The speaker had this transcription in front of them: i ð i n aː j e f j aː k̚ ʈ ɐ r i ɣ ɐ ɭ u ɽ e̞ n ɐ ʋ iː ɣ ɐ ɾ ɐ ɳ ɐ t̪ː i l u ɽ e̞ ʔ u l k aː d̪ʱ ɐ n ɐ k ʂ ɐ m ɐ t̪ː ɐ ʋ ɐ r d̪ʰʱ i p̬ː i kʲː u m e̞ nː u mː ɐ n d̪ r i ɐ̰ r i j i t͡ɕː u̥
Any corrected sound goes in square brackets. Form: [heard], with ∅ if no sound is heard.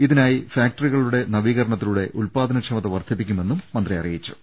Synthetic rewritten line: i ð i n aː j [i] f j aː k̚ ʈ ɐ r i ɣ ɐ ɭ u ɽ e̞ n ɐ ʋ iː ɣ ɐ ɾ ɐ ɳ ɐ t̪ː i l u ɽ e̞ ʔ u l [p] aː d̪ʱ ɐ n ɐ k ʂ ɐ m ɐ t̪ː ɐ ʋ ɐ r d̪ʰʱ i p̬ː i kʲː u m e̞ nː u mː ɐ n d̪ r i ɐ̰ r i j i t͡ɕː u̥